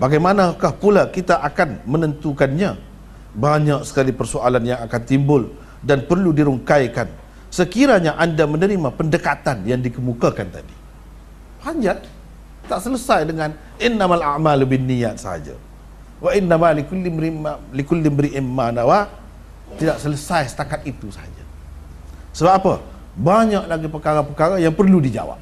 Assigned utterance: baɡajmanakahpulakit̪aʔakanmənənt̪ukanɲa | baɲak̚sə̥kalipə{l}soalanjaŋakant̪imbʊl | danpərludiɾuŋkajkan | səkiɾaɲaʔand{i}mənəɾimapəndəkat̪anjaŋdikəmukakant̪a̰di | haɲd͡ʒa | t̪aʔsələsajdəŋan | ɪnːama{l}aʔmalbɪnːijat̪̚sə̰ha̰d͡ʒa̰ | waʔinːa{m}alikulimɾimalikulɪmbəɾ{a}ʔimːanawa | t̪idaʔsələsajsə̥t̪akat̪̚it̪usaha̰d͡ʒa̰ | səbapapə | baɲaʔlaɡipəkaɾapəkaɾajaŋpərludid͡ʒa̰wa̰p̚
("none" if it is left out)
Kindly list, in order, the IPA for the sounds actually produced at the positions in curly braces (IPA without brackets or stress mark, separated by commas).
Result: r, a, l, m, i